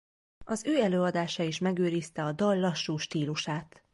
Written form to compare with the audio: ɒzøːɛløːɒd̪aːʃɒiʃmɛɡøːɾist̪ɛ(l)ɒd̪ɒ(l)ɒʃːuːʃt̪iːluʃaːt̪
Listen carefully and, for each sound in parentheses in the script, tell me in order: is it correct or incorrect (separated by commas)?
incorrect, incorrect